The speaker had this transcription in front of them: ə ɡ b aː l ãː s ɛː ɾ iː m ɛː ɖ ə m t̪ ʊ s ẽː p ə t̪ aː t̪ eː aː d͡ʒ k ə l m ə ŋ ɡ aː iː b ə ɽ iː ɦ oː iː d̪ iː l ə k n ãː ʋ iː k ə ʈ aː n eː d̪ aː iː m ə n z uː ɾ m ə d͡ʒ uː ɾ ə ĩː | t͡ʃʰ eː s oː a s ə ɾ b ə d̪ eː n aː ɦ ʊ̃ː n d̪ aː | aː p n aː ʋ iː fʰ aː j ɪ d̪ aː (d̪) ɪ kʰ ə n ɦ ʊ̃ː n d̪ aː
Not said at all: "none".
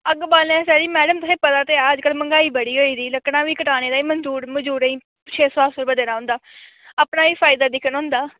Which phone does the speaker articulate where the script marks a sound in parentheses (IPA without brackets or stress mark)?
d̪